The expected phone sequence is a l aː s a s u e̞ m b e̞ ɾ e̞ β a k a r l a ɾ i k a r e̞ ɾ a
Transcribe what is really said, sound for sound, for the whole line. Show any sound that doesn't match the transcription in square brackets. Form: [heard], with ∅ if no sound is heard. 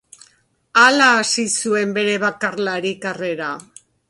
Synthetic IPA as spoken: a l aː s [i] s u e̞ m b e̞ ɾ e̞ β a k a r l a ɾ i k a r e̞ ɾ a